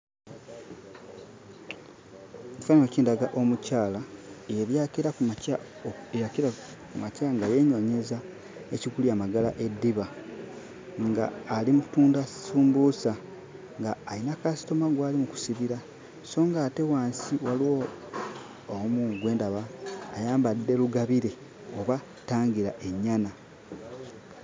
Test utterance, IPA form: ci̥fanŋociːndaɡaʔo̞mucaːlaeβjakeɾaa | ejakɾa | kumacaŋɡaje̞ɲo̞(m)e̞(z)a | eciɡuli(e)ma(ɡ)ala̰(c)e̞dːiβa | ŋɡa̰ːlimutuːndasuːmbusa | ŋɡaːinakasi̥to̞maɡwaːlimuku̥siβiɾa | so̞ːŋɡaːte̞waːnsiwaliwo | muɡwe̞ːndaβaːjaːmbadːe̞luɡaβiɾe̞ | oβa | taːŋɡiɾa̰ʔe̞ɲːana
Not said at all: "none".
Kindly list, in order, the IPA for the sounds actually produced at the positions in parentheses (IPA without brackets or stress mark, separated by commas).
ɲ, z, a, ɡ, ʔ